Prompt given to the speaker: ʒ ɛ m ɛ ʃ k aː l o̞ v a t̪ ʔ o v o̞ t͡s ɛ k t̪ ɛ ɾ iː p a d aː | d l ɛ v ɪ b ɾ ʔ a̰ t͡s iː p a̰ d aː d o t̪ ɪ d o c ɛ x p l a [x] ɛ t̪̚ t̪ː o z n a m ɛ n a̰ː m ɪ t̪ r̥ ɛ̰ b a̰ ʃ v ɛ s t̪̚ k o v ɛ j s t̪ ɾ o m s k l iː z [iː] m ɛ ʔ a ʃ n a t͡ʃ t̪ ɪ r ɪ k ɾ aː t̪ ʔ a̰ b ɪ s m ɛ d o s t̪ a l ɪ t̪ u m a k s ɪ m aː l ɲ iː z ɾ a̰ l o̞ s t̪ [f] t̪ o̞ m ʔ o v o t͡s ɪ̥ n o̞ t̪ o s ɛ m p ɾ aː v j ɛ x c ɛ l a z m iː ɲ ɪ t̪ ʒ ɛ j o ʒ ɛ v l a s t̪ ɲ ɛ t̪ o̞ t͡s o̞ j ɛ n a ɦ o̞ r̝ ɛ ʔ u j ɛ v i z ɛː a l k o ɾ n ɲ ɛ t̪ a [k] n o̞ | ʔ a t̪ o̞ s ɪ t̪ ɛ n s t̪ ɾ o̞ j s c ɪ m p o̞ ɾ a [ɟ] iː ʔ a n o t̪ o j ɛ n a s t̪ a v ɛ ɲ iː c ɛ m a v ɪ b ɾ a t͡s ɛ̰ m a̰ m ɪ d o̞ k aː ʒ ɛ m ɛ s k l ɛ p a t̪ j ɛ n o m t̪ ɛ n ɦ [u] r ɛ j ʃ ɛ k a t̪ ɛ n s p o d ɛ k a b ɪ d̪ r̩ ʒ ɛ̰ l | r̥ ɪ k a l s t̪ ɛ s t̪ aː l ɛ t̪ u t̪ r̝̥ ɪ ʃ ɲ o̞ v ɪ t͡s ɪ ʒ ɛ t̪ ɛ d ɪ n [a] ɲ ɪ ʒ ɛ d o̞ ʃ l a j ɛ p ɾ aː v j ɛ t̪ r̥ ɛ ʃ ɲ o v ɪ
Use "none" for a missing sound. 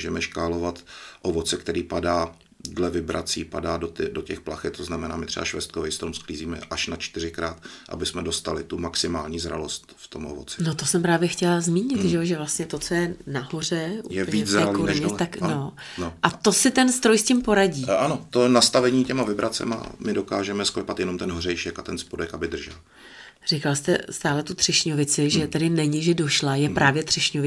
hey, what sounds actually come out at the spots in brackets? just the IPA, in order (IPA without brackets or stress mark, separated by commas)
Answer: x, iː, f, k, ɟ, o, ɛ